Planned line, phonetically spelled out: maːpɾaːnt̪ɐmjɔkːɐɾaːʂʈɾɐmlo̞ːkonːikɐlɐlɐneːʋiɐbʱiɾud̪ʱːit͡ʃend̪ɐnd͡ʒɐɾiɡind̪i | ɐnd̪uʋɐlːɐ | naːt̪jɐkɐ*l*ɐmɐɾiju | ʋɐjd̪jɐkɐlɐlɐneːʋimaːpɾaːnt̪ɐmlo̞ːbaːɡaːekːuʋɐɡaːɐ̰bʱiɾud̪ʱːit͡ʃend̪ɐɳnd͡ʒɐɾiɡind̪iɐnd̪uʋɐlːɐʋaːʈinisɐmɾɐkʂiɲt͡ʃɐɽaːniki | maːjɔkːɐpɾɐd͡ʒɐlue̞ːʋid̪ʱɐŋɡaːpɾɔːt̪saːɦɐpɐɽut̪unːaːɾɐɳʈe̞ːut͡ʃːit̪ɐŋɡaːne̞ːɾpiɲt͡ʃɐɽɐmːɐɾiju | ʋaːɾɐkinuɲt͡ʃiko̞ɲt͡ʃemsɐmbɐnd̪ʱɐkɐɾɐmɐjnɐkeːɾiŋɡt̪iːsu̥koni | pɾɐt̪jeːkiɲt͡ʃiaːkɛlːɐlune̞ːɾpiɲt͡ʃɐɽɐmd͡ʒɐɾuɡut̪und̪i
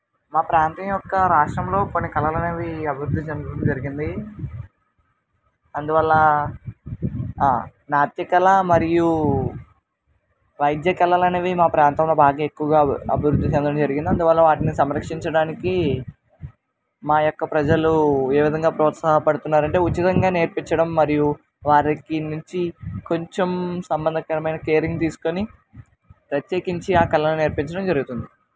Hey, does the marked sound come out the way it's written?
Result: yes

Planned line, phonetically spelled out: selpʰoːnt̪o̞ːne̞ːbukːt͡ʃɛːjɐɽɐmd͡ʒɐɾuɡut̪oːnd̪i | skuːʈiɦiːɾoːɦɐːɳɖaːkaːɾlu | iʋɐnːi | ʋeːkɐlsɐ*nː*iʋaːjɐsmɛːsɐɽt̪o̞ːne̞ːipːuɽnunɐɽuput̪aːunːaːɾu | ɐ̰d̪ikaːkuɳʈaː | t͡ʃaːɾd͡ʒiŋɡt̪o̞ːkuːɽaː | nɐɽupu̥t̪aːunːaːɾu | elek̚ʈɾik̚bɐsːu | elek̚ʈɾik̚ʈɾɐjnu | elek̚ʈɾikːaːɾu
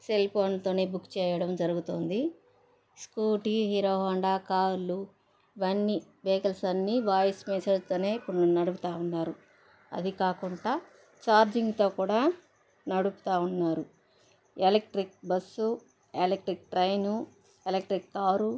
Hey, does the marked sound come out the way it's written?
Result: yes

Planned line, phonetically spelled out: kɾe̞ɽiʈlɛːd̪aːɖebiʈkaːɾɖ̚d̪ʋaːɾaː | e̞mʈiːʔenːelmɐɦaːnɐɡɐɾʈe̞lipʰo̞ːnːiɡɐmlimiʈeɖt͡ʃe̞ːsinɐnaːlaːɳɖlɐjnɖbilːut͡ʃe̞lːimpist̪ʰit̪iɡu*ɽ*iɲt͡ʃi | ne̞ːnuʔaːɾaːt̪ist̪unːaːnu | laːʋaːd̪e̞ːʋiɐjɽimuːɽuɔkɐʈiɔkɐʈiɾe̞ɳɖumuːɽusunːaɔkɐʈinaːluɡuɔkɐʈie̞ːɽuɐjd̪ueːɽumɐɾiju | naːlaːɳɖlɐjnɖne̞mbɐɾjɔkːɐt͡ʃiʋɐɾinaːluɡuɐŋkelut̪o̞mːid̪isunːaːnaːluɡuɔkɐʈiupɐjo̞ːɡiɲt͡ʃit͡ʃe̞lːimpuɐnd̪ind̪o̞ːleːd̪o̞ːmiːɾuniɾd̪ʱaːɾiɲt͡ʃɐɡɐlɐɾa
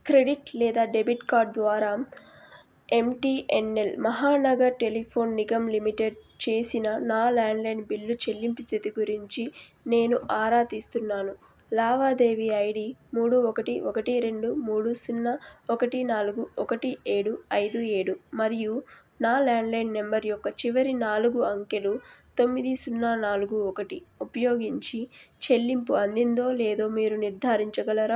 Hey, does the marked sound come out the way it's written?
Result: no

